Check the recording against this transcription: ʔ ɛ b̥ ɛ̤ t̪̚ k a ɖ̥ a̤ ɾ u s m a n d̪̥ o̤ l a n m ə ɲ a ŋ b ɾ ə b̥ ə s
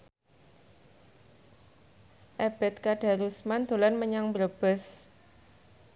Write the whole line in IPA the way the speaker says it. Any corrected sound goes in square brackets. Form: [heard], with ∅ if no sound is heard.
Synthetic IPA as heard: ʔ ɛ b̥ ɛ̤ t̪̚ k a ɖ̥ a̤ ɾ u s m a n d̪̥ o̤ l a n m ə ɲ a ŋ b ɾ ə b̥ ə s